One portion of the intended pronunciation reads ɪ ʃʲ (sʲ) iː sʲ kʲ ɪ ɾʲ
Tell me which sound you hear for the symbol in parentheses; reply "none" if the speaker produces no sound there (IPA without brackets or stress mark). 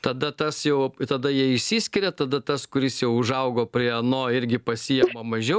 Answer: sʲ